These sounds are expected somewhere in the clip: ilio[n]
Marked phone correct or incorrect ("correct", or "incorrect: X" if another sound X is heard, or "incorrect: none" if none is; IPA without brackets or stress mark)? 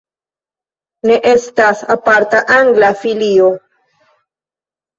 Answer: incorrect: none